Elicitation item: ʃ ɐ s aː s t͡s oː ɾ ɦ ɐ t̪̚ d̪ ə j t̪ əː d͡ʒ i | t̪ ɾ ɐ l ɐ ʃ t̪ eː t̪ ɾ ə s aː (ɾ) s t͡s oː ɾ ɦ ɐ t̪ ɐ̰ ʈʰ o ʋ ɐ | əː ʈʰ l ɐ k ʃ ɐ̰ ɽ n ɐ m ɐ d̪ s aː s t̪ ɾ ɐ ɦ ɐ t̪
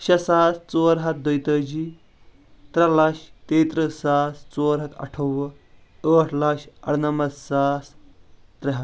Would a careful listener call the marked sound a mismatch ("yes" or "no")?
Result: yes